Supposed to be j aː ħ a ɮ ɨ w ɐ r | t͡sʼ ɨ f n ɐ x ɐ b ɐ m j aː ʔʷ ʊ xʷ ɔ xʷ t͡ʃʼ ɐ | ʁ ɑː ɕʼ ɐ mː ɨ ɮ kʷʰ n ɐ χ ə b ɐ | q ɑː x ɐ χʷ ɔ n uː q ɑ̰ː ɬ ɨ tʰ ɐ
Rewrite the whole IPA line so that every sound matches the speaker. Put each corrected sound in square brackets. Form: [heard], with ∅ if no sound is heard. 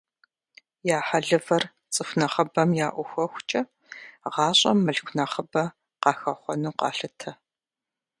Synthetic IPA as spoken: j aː ħ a ɮ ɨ [v] ɐ r | t͡sʼ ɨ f n ɐ [χ] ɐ b ɐ m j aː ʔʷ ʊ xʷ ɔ xʷ t͡ʃʼ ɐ | ʁ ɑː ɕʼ ɐ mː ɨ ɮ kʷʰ n ɐ χ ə b ɐ | q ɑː x ɐ χʷ ɔ n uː q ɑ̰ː ɬ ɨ tʰ ɐ